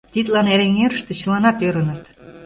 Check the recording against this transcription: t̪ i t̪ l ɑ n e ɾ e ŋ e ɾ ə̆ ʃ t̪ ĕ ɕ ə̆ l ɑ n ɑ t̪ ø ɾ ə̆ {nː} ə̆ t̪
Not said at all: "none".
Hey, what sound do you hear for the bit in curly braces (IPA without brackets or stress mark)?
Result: n